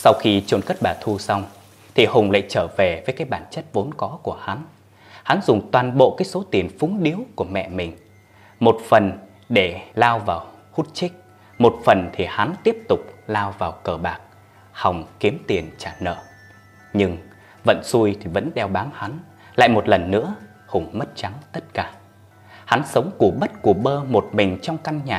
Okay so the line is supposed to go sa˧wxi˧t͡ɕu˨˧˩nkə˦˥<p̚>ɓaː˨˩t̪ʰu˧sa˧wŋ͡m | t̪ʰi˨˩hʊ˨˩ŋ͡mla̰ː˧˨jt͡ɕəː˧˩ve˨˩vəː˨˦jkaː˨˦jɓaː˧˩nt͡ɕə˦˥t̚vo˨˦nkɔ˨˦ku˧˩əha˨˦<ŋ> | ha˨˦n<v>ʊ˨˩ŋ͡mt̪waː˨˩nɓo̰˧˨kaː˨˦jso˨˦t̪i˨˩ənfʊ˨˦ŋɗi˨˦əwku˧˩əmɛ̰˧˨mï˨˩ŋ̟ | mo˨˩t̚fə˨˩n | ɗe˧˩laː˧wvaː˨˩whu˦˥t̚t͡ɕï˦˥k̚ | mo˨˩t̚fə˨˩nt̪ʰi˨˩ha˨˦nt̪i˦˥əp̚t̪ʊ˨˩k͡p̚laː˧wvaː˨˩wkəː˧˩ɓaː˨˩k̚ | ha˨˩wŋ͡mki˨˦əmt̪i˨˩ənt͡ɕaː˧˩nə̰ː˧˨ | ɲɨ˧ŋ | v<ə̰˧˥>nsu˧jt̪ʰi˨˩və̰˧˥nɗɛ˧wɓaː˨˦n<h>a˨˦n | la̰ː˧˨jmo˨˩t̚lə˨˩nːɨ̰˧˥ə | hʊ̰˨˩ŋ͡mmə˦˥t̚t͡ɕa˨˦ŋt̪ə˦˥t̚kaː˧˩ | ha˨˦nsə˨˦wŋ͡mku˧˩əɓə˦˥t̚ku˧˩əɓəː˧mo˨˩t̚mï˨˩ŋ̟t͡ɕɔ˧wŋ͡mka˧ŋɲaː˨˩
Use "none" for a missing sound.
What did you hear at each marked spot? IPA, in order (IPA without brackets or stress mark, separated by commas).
t̚, n, z, ə̰˧˨, h